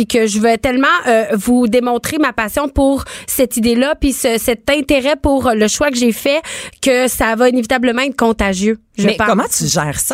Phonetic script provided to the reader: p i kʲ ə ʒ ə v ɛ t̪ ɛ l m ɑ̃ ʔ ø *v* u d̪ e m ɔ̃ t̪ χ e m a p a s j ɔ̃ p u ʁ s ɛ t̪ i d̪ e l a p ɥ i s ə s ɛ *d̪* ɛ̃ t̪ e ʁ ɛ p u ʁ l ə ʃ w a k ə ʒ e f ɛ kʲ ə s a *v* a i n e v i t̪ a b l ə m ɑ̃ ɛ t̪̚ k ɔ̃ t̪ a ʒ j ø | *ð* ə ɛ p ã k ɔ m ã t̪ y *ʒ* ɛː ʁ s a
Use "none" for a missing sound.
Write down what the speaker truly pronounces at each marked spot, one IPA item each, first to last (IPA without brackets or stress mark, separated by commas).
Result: v, t̪, v, ʒ, ʒ